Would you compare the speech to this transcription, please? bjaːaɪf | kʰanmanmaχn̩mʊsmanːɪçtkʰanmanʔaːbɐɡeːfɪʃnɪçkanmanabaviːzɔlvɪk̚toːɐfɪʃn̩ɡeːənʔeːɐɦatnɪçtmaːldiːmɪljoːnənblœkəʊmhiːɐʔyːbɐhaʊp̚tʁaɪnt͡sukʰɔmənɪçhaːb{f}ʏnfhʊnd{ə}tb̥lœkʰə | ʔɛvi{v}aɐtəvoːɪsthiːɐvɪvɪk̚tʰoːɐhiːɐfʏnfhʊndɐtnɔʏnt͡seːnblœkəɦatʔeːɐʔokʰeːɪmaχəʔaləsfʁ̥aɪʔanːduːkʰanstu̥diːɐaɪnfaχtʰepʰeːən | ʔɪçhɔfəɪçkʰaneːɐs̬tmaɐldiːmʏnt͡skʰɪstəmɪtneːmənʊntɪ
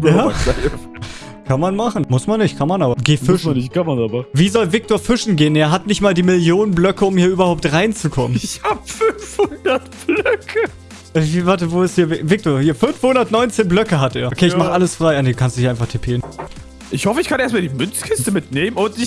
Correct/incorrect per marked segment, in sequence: correct, incorrect: ɐ, correct

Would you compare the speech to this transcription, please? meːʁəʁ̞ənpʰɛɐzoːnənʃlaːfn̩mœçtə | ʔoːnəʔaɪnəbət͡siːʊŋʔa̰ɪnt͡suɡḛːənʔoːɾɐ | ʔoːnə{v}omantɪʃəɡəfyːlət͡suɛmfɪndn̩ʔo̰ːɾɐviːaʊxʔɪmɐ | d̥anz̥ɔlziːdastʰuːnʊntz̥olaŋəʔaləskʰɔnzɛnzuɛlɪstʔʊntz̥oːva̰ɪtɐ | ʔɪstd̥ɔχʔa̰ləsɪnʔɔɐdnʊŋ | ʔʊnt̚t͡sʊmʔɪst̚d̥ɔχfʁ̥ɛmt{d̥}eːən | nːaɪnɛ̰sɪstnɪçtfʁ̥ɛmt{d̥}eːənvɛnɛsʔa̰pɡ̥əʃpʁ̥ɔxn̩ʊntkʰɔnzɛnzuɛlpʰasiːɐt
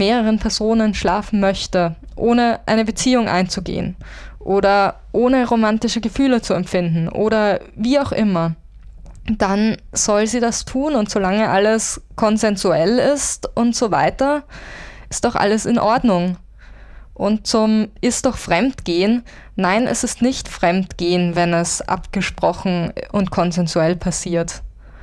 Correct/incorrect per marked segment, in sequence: incorrect: ʁ, incorrect: ɡ̥, incorrect: ɡ̥

